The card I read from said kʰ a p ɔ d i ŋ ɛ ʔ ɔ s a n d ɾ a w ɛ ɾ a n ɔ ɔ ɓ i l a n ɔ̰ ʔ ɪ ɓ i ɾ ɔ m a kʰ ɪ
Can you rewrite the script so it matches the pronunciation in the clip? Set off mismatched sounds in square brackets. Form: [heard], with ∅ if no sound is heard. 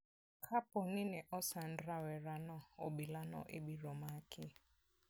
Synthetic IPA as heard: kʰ a p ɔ [n] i [n] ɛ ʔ ɔ s a n d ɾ a w ɛ ɾ a n ɔ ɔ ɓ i l a n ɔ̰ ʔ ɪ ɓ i ɾ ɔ m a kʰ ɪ